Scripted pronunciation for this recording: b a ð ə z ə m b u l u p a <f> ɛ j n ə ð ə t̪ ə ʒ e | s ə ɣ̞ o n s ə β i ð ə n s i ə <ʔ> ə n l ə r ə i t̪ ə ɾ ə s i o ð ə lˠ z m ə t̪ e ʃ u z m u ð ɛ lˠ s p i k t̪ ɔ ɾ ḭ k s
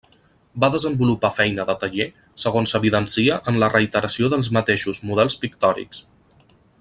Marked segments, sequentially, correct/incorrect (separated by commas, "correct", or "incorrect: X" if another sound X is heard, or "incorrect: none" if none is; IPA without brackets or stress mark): correct, correct